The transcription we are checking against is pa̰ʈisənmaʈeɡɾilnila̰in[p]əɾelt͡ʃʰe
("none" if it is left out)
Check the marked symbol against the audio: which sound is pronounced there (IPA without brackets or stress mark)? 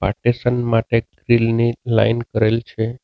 k